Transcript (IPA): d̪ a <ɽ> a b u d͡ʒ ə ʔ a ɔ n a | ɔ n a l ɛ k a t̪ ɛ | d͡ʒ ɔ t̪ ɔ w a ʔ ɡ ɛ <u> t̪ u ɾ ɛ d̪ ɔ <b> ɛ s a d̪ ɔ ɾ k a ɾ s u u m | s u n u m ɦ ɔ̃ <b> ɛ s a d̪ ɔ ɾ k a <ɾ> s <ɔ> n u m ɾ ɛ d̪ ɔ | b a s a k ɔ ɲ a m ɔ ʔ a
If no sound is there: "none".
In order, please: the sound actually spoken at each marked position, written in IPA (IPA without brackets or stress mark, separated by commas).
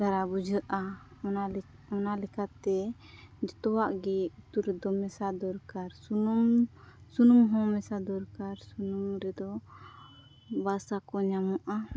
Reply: ɾ, u, m, m, ɾ, u